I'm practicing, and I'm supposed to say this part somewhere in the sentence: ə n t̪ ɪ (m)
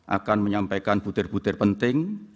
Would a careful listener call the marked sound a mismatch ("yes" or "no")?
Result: yes